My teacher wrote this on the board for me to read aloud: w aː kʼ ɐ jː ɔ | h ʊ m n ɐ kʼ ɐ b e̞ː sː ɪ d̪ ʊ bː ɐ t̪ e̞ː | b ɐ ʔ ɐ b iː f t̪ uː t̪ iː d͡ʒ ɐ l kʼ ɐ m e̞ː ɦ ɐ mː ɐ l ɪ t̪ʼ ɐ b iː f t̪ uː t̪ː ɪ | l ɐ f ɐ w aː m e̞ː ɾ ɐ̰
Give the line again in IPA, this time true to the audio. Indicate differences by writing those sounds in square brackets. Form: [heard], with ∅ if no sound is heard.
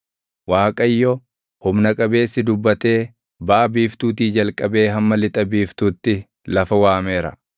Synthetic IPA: w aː kʼ ɐ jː ɔ | h ʊ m n ɐ kʼ ɐ b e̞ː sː ɪ d̪ ʊ bː ɐ t̪ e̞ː | b ɐ ʔ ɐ b iː f t̪ uː t̪ iː d͡ʒ ɐ l kʼ ɐ [b] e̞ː ɦ ɐ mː ɐ l ɪ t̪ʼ ɐ b iː f t̪ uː t̪ː ɪ | l ɐ f ɐ w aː m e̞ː ɾ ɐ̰